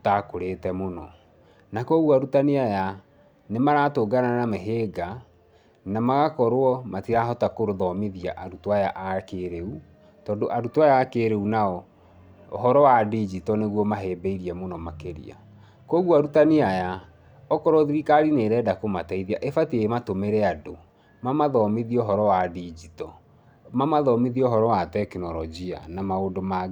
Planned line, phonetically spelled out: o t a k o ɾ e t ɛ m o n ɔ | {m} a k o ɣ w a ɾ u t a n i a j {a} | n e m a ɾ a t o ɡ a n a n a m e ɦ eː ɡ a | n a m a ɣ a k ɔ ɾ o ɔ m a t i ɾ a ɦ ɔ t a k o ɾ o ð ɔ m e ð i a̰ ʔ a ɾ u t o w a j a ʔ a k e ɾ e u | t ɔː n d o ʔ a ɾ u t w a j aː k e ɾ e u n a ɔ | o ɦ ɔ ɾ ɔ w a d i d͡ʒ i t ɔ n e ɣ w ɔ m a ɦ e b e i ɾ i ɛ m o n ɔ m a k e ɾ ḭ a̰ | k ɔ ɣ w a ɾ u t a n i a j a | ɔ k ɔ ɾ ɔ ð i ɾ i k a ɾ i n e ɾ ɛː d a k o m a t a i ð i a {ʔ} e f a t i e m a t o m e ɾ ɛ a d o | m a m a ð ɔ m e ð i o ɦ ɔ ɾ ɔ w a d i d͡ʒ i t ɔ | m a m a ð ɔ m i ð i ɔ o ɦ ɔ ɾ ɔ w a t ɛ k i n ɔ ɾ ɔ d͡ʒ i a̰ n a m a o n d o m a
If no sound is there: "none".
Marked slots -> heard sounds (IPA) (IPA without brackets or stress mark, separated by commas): n, a, ʔ